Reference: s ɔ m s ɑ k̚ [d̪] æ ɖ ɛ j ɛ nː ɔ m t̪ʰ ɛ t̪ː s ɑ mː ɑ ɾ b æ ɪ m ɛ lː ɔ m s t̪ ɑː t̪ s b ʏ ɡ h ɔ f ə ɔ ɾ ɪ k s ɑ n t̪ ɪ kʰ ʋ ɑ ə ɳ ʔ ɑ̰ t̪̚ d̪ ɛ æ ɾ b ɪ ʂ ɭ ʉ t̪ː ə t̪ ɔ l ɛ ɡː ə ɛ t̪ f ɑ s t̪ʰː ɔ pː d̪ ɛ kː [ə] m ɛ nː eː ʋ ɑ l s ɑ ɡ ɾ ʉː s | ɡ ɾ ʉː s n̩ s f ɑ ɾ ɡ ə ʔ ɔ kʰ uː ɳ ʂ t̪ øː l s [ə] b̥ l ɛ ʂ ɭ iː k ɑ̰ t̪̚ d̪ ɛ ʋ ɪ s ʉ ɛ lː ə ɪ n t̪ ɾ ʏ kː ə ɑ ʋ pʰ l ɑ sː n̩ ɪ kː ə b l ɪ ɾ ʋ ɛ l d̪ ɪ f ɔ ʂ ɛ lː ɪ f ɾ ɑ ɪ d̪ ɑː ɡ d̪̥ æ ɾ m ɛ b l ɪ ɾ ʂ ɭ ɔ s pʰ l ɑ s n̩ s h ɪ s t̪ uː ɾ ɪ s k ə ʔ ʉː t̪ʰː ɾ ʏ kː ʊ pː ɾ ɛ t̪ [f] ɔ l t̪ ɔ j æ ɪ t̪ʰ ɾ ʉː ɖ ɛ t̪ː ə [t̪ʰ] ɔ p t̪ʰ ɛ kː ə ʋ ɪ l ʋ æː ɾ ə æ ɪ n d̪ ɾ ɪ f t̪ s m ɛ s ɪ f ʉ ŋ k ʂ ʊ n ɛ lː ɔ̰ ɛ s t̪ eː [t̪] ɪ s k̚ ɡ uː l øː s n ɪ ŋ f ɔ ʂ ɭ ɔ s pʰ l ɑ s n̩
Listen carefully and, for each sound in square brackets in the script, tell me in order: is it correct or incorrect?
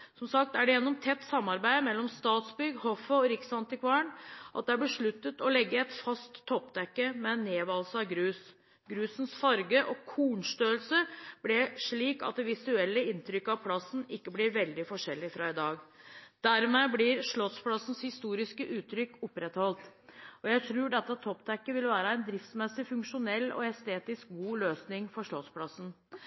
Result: incorrect, correct, correct, incorrect, correct, correct

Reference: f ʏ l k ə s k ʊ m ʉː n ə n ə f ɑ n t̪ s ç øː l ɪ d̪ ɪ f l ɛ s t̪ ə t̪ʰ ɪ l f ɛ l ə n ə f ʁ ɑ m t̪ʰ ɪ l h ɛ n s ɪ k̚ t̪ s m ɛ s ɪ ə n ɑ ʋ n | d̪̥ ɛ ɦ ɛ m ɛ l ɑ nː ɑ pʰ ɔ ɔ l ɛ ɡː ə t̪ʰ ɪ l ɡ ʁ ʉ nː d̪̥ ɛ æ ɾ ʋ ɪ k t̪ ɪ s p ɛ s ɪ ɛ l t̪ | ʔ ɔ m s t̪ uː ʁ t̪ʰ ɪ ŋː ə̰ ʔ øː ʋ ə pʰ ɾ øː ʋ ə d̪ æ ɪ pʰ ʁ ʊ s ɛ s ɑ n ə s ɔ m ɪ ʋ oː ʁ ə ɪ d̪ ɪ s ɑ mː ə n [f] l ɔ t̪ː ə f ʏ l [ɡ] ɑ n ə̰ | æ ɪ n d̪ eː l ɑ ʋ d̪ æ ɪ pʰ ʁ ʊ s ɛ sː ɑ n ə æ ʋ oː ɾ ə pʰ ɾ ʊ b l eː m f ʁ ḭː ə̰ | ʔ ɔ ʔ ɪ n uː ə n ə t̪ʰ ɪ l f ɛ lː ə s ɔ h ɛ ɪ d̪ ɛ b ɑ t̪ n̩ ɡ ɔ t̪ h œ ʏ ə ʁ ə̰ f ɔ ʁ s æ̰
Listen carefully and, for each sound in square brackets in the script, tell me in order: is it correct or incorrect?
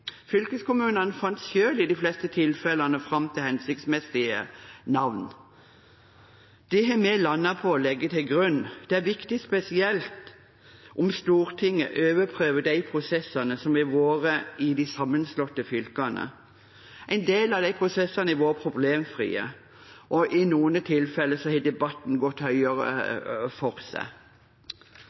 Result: incorrect, incorrect

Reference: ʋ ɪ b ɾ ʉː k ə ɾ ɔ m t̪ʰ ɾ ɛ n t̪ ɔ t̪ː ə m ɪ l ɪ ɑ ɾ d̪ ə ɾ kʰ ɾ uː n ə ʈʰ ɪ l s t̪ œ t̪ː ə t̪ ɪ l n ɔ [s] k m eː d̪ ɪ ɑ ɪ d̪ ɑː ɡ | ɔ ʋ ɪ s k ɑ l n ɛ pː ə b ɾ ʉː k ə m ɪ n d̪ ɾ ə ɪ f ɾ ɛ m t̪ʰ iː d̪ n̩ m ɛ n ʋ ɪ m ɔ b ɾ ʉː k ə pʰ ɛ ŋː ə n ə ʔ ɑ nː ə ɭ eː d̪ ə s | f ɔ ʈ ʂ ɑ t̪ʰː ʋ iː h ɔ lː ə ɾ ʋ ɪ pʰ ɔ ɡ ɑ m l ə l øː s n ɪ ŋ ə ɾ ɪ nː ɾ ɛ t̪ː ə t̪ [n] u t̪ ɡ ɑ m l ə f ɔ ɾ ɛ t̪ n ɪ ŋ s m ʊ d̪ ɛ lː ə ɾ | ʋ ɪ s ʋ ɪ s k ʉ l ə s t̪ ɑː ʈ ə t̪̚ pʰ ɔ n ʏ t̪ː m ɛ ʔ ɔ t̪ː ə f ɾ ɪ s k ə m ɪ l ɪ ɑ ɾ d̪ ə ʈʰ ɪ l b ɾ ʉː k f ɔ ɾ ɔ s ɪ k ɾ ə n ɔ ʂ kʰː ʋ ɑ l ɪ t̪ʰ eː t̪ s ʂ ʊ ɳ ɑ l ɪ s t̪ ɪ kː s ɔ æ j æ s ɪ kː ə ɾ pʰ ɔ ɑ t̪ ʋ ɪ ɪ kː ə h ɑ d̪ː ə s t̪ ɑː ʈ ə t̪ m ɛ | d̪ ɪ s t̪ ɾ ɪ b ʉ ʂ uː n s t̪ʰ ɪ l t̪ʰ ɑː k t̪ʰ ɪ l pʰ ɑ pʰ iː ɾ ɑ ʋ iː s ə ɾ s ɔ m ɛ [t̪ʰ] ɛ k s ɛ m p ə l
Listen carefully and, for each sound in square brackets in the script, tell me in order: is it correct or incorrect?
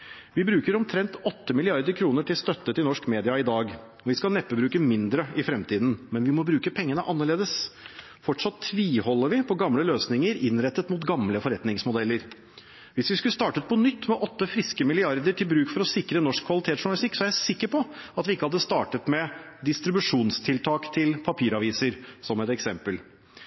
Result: incorrect, incorrect, incorrect

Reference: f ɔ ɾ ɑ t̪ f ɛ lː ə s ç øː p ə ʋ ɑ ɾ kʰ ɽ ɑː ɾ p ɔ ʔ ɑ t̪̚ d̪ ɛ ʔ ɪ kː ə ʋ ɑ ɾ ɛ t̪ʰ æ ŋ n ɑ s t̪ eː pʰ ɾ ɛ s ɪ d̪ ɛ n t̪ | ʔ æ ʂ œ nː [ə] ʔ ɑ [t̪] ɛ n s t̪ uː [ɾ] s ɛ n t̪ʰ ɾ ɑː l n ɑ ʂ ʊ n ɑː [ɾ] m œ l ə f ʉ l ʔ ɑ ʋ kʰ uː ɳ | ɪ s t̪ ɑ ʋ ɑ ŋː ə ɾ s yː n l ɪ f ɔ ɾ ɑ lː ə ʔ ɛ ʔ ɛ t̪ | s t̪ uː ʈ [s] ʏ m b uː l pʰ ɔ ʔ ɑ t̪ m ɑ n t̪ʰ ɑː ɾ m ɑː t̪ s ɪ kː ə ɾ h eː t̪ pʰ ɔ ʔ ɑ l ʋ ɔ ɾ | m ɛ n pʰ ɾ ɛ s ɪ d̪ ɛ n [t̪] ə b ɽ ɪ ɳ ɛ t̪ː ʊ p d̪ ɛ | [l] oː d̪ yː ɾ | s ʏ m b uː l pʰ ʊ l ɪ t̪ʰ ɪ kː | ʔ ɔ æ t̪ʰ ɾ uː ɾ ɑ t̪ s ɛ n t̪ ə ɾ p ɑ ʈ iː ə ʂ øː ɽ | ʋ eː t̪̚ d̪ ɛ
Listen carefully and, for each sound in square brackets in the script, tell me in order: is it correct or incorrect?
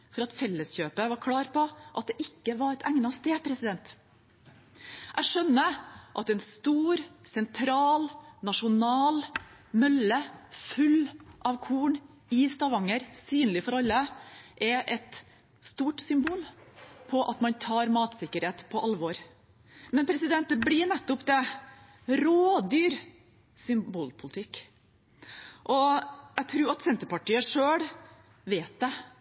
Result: correct, correct, correct, incorrect, correct, correct, incorrect

